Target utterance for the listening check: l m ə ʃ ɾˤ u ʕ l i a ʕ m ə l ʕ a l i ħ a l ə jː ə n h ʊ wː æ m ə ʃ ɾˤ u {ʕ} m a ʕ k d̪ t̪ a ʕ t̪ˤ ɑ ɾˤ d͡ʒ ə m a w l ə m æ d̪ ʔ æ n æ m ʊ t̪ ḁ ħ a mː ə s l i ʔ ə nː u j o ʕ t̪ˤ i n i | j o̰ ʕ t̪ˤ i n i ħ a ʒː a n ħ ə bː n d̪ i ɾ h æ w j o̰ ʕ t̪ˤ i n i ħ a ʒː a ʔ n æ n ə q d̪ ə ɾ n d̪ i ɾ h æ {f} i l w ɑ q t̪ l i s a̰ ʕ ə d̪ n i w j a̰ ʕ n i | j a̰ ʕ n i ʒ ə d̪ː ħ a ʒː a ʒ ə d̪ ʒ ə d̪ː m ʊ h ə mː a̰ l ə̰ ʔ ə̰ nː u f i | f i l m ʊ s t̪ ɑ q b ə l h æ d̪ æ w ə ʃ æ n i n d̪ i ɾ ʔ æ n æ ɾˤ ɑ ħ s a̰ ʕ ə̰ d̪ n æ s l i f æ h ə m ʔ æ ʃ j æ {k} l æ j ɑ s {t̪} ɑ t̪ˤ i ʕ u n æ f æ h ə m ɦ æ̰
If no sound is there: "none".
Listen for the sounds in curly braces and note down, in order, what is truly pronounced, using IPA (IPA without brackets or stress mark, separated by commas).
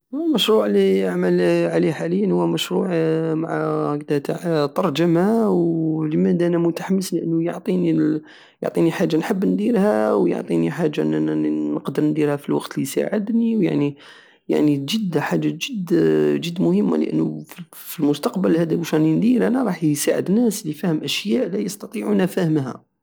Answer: ʕ, f, ʔ, t̪